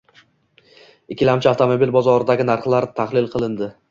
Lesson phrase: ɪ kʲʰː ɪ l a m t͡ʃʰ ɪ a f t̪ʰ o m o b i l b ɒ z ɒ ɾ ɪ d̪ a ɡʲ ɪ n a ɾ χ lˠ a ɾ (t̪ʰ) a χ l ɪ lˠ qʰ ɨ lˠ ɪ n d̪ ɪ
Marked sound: correct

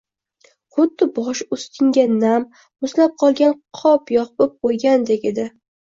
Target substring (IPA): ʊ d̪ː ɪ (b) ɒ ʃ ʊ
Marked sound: correct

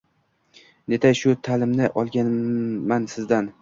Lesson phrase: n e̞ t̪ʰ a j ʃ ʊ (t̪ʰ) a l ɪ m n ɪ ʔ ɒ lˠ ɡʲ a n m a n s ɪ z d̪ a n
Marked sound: correct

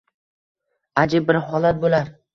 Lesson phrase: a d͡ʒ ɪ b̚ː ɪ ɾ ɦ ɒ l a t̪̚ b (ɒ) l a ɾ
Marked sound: incorrect: o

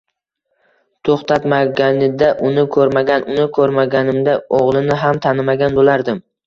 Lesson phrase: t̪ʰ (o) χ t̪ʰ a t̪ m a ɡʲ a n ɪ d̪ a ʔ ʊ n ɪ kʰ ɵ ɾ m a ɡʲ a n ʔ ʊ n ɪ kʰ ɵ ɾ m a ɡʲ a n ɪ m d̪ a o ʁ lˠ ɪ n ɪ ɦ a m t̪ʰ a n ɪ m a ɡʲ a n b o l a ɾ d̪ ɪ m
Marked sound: correct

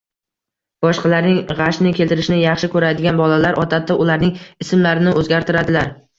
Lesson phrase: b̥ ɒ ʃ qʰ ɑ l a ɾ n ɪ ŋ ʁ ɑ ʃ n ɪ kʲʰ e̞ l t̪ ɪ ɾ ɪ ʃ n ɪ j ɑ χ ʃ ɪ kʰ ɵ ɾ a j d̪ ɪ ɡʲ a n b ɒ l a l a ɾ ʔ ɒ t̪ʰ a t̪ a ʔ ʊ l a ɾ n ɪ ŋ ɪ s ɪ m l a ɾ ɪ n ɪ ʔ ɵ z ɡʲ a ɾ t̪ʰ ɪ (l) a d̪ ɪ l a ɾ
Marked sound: incorrect: ɾ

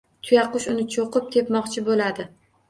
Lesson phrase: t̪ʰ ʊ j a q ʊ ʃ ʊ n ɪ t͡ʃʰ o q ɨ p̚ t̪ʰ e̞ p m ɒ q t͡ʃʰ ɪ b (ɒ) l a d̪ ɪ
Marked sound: incorrect: o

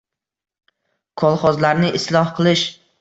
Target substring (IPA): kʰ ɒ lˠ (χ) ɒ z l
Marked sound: correct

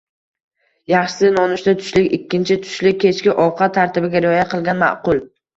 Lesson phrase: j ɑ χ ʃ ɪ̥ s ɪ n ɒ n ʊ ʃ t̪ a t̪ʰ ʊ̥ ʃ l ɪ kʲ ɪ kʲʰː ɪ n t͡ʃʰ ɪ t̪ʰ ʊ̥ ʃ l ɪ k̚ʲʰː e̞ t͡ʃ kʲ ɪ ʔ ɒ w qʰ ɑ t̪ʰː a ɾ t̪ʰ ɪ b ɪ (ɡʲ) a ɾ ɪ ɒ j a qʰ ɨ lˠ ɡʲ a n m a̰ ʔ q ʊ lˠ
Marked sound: correct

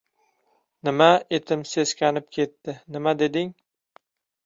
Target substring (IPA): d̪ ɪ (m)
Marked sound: incorrect: ŋ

